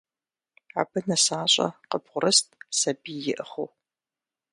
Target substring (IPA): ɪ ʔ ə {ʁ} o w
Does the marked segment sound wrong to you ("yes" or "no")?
yes